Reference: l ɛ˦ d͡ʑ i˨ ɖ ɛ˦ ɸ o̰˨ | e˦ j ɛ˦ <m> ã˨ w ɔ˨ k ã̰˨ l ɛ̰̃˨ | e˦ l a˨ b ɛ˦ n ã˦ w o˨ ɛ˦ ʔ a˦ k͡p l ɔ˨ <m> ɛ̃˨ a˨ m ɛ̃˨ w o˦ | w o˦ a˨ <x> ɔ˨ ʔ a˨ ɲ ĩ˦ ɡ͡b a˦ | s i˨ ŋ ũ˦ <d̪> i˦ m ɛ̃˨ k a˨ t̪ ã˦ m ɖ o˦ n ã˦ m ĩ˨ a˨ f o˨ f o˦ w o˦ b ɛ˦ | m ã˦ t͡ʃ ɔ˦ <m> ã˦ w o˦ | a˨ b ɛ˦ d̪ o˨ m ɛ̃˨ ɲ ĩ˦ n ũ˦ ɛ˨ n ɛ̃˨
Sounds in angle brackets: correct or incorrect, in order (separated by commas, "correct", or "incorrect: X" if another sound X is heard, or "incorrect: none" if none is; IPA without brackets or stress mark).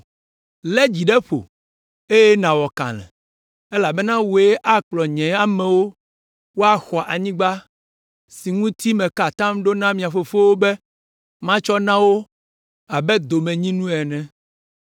incorrect: n, incorrect: ɲ, correct, incorrect: t̪, incorrect: n